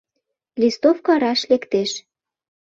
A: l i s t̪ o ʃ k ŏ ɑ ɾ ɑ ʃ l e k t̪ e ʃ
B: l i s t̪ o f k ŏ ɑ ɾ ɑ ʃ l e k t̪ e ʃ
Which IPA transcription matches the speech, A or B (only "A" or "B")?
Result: B